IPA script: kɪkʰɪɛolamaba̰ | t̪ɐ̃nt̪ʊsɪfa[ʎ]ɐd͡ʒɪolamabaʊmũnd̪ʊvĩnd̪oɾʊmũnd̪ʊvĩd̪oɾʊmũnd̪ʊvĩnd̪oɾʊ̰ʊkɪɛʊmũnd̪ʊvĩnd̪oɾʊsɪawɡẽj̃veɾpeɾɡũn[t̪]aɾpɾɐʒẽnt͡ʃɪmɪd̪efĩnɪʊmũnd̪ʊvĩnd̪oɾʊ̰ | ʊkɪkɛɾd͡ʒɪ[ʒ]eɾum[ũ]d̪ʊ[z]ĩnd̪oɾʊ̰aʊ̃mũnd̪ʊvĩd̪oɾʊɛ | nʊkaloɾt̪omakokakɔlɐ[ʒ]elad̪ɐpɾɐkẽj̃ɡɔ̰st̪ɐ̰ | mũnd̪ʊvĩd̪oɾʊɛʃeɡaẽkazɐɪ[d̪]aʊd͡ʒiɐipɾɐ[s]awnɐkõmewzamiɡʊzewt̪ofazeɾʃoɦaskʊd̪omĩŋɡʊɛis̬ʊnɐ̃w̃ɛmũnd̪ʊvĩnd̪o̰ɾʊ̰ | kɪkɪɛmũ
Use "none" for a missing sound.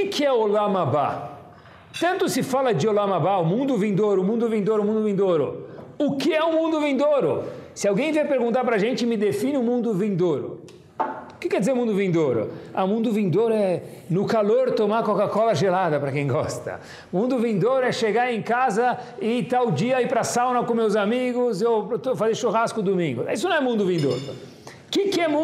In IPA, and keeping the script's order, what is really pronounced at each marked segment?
l, t̪, z, ũ, v, ʒ, t̪, s

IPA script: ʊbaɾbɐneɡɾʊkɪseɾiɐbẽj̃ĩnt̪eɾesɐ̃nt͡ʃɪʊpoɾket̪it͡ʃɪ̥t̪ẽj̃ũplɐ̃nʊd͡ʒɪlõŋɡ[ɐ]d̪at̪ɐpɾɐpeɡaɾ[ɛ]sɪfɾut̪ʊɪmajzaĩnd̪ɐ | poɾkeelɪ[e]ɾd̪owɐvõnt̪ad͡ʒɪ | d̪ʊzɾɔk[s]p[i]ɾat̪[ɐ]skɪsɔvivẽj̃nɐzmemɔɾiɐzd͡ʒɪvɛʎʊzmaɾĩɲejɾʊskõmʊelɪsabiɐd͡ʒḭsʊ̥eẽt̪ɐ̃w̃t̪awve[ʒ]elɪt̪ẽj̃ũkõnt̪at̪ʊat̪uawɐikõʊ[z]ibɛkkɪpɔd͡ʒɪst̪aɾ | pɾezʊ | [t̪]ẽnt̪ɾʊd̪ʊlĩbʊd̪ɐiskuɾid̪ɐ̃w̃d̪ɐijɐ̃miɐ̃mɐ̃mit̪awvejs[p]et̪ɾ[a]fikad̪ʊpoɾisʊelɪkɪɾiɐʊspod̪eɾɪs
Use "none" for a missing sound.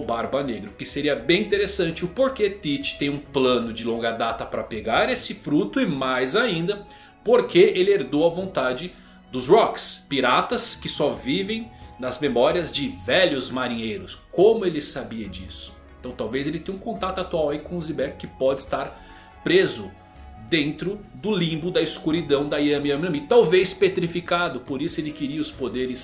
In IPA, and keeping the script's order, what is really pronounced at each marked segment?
ɐ, e, e, s, i, ɐ, z, z, d̪, p, i

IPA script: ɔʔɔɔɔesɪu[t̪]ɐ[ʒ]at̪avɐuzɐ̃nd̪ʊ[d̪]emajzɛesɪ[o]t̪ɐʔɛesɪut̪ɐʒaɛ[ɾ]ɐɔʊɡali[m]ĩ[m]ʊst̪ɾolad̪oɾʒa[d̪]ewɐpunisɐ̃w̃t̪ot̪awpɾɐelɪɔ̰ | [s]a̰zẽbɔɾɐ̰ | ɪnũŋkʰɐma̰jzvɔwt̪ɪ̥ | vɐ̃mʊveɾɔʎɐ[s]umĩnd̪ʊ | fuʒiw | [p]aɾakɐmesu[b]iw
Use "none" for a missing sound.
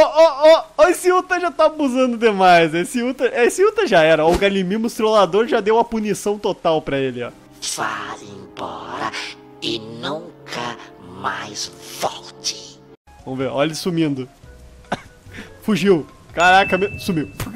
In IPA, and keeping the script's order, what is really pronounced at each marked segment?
t̪, ʒ, d̪, u, ɾ, m, m, d̪, f, s, k, m

